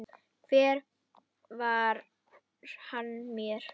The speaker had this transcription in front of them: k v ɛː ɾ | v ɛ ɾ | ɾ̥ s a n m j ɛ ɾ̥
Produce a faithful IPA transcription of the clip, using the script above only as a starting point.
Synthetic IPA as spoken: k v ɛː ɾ | v a ɾ | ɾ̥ h a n m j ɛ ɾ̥